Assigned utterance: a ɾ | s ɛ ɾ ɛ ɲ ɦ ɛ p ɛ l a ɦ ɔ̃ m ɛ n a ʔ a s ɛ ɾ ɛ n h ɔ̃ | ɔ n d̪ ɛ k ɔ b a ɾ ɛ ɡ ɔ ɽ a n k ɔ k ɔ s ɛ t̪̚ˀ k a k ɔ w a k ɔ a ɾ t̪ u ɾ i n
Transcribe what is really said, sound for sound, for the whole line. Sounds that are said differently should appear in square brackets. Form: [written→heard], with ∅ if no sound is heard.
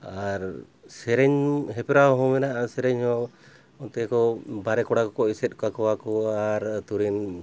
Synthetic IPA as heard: a ɾ | s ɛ ɾ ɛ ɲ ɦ ɛ p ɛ [l→ɾ] a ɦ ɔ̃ m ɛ n a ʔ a s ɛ ɾ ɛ [n→ɲ] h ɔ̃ | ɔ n [d̪→t̪] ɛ k ɔ b a ɾ ɛ [ɡ→k] ɔ ɽ a [n→∅] k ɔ k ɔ s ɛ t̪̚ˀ k a k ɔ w a k ɔ a ɾ t̪ u ɾ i n